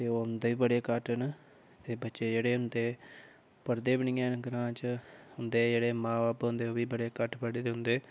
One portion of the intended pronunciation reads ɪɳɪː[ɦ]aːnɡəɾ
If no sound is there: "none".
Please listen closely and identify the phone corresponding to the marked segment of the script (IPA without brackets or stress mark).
none